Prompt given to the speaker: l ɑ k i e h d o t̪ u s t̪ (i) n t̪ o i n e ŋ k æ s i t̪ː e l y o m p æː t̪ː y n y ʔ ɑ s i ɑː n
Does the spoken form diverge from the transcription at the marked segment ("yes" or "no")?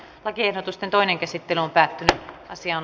yes